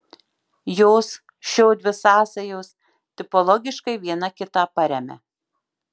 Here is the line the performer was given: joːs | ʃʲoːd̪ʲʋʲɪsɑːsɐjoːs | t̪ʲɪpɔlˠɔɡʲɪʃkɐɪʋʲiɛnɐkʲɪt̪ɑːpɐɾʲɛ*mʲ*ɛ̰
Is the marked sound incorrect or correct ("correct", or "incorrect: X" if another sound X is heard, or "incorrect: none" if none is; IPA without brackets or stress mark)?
correct